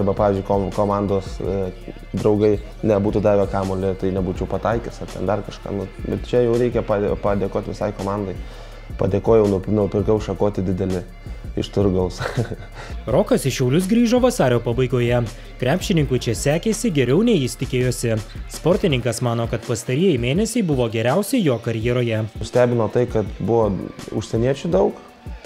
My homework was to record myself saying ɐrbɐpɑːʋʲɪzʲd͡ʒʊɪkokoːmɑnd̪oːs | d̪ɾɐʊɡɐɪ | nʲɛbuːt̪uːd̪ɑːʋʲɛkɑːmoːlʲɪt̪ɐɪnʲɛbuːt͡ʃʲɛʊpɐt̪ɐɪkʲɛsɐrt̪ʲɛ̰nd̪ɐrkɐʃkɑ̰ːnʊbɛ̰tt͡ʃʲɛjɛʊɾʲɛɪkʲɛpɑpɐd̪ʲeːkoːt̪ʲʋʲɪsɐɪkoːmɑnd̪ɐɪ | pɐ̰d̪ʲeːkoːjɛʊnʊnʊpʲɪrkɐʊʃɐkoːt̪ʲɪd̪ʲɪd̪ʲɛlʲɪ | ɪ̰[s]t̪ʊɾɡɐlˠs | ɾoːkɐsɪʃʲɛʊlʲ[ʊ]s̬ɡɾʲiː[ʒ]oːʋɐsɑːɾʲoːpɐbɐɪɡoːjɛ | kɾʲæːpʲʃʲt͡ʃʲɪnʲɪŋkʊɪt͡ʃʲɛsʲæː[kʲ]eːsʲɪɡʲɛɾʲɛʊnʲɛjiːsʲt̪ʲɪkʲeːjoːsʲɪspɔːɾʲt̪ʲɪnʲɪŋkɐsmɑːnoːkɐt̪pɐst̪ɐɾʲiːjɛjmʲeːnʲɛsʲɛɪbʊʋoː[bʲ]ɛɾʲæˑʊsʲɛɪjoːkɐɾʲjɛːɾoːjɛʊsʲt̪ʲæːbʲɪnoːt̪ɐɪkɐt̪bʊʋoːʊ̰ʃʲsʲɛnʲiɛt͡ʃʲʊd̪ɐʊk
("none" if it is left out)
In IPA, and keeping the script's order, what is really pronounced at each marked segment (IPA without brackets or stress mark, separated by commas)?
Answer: ʃ, ʊ, ʒ, kʲ, ɡʲ